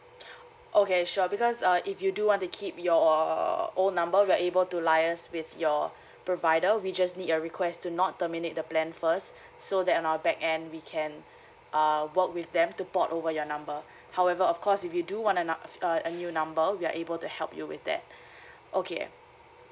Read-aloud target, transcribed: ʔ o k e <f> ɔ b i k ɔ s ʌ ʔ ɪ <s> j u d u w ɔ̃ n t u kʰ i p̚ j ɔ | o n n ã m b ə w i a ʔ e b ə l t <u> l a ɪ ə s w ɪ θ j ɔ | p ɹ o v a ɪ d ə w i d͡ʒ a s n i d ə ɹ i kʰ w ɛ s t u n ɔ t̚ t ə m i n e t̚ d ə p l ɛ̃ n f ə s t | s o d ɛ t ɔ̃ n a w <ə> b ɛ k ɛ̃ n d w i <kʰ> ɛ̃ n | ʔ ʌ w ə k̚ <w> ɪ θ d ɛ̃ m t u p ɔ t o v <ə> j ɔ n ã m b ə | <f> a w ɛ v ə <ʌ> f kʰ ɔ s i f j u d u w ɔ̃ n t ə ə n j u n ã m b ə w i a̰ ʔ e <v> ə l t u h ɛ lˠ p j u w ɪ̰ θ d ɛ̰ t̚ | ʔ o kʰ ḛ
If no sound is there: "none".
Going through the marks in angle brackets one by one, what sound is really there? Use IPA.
ʃ, f, u, ə, kʰ, w, ə, h, ɔ, b

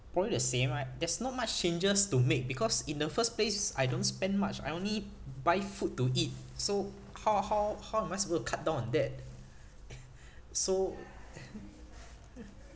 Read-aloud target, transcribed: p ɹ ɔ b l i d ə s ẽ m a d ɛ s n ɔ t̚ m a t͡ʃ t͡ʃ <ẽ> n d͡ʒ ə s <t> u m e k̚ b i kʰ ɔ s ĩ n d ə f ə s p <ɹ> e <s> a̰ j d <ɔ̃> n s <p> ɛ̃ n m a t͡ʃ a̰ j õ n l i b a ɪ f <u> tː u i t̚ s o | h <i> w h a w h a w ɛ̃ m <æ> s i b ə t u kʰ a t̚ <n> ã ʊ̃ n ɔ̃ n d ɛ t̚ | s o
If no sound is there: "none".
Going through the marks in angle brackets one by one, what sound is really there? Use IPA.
ẽ, t, l, s, õ, p, u, a, a, d

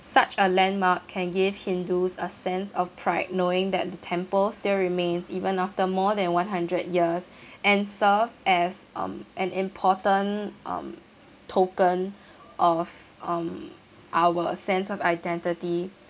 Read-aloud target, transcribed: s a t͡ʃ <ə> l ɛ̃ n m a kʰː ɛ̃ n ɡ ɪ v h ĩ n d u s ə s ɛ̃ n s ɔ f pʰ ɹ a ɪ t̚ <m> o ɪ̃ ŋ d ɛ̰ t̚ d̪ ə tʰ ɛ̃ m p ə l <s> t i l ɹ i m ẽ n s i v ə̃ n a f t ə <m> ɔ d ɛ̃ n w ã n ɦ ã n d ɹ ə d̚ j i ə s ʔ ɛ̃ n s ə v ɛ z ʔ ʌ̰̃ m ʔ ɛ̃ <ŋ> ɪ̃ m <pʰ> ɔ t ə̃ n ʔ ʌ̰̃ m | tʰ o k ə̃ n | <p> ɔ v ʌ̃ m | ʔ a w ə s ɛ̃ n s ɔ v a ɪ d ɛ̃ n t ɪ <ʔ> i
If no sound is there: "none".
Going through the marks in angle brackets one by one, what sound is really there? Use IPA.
ə, n, s, m, n, pʰ, ʔ, t

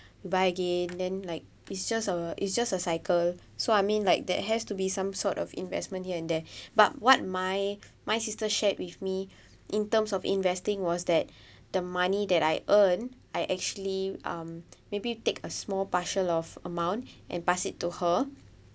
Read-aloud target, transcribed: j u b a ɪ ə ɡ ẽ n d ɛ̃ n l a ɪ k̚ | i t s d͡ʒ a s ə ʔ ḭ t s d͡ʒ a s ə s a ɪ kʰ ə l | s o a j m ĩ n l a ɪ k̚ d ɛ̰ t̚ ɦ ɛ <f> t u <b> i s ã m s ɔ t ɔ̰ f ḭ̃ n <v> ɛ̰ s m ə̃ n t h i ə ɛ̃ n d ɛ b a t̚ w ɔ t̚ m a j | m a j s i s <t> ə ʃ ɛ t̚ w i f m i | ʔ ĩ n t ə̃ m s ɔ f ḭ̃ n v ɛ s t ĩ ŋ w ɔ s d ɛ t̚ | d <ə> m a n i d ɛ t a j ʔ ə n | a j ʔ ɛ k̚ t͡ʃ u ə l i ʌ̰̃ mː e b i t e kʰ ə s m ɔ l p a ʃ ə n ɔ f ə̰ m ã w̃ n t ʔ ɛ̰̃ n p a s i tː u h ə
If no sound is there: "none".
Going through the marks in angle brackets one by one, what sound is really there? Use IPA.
s, b, v, t, ə

